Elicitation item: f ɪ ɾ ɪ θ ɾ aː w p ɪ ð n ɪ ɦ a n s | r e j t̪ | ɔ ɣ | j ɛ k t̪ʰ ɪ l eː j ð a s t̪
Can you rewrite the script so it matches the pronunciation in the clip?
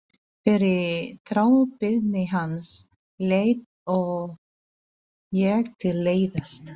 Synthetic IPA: f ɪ ɾ ɪ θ ɾ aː w p ɪ ð n ɪ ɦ a n s | l e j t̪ | ɔ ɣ | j ɛ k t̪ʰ ɪ l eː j ð a s t̪